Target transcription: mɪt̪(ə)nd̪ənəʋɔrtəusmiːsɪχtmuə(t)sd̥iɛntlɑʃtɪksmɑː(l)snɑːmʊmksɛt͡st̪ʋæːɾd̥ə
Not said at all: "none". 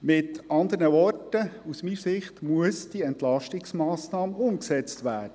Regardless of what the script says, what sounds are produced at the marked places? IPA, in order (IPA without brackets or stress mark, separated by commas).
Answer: ɑ, none, none